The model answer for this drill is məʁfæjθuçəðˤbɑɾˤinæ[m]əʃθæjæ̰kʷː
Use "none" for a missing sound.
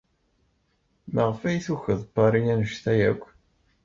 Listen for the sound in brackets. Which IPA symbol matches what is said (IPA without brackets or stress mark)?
n